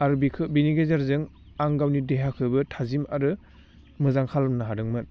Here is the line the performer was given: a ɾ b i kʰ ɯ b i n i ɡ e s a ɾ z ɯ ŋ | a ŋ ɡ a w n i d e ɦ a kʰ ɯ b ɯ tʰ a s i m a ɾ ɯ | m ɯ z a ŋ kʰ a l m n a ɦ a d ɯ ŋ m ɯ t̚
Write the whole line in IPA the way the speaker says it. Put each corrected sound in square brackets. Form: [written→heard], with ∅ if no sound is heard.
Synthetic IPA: a ɾ b i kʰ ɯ b i n i ɡ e [s→z] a ɾ z ɯ ŋ | a ŋ ɡ a w n i d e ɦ a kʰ ɯ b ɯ tʰ a [s→z] i m a ɾ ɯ | m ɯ z a ŋ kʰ a l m n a ɦ a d ɯ ŋ m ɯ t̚